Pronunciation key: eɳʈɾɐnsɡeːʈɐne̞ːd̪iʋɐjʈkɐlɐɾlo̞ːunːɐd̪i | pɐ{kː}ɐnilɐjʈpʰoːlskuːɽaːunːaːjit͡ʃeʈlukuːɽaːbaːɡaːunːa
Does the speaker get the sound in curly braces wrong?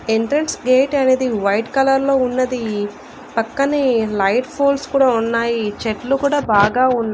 no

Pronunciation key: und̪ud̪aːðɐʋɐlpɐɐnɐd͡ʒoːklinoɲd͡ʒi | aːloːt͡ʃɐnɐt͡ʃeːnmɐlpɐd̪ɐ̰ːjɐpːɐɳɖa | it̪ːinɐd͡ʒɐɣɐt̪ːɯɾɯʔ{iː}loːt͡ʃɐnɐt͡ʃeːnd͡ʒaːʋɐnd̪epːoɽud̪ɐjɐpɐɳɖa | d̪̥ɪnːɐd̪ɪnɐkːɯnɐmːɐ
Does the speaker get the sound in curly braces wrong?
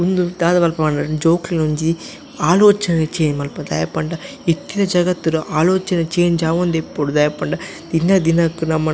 yes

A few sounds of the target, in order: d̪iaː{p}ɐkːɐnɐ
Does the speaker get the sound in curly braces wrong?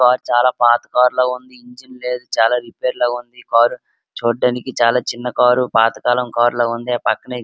no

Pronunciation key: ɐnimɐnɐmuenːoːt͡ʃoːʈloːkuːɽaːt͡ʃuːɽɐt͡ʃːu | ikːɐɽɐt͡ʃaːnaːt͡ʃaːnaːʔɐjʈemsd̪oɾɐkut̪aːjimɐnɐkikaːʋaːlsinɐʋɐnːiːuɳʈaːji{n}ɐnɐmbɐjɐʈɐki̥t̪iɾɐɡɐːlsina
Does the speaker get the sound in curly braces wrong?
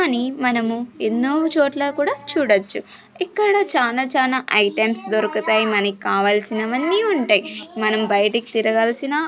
yes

